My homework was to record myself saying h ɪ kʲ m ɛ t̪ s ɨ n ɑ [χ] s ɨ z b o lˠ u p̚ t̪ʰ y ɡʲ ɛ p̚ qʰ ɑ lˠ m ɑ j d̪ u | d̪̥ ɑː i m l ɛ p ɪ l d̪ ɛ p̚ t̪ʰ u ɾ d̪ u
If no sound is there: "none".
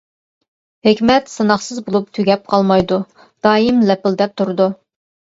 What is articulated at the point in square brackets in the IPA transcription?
χ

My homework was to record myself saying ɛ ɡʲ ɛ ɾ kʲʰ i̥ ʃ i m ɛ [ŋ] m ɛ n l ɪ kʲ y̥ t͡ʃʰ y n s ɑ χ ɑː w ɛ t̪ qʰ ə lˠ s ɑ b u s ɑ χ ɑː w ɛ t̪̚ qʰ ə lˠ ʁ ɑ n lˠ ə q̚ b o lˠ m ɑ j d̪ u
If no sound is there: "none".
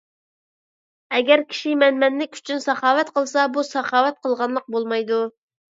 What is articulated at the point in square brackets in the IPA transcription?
n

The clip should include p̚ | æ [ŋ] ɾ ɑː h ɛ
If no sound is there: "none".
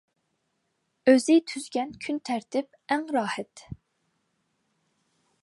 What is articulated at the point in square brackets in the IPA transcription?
ŋ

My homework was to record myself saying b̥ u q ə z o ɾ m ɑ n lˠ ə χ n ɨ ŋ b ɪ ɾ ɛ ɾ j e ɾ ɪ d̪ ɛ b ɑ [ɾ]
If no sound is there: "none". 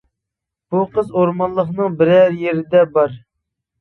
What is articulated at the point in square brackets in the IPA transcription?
ɾ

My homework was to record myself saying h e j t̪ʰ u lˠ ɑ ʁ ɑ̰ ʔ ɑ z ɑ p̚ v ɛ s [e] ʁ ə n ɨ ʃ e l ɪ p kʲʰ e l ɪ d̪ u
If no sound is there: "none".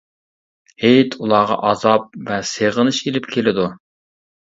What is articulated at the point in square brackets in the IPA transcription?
e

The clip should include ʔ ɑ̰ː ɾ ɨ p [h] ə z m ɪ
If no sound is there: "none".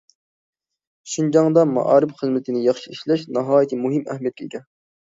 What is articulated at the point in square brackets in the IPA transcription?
χ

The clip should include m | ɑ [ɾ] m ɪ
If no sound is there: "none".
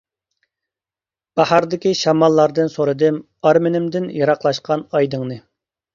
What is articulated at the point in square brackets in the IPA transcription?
ɾ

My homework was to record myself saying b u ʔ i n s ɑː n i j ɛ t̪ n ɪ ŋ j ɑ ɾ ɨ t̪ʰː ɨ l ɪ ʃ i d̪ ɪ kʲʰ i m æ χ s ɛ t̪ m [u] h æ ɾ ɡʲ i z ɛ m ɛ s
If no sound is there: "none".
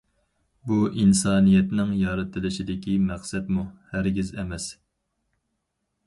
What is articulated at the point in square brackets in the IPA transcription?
u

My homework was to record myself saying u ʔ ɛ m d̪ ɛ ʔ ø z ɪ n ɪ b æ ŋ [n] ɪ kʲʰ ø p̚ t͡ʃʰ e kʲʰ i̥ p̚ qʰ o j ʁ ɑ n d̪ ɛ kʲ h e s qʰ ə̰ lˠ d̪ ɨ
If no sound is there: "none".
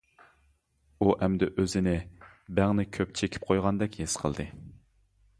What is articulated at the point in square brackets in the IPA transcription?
n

